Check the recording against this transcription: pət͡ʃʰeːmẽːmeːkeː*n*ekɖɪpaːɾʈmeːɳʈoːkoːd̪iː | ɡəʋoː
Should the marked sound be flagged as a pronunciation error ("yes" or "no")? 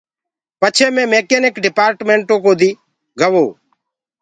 no